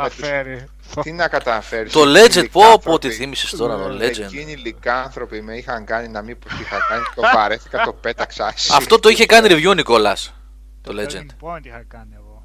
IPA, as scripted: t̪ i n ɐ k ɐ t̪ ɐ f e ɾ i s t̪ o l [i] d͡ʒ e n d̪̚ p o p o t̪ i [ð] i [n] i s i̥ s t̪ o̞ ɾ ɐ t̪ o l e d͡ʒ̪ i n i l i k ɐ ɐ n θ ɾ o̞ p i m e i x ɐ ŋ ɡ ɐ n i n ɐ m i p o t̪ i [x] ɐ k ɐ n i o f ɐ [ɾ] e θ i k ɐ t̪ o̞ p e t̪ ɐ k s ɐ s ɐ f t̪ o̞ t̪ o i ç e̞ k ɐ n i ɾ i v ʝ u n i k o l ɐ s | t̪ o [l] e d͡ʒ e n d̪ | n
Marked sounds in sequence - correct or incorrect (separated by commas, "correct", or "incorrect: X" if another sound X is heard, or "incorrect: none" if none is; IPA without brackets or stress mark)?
incorrect: e, incorrect: θ, incorrect: m, correct, correct, correct